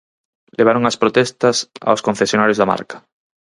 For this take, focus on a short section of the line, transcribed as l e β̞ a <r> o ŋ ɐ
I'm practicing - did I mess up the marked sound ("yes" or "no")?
yes